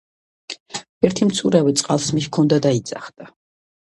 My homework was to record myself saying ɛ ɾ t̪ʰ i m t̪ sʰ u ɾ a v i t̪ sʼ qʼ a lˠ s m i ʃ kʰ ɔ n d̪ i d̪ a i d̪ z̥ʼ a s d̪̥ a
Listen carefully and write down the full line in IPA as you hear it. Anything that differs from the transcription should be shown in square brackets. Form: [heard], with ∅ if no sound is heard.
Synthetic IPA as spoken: ɛ ɾ t̪ʰ i m t̪ sʰ u ɾ a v i t̪ sʼ qʼ a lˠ s m i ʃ kʰ ɔ n d̪ [a] d̪ a i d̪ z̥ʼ a [χ] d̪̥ a